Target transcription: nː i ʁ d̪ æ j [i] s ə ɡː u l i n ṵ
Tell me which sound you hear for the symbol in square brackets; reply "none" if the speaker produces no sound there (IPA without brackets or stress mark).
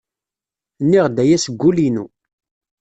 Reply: æ